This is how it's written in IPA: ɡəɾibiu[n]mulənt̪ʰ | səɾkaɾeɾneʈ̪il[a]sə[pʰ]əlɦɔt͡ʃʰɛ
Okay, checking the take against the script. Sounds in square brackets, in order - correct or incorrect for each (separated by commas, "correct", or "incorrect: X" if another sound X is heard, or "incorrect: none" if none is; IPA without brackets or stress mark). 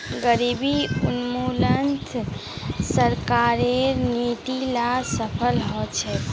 correct, correct, correct